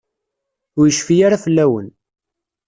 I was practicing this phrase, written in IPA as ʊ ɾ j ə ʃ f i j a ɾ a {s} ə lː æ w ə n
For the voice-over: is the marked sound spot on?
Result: no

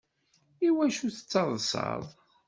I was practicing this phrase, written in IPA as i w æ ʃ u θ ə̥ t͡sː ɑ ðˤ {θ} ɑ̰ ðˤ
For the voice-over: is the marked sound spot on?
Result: no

